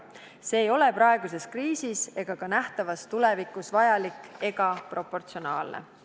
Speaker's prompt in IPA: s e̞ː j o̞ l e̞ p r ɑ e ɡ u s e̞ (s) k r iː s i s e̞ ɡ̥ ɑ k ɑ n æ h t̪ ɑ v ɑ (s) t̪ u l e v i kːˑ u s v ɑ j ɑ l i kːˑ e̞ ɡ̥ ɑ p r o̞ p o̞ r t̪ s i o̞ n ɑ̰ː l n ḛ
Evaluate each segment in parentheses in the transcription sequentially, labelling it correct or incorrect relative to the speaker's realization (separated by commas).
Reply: correct, correct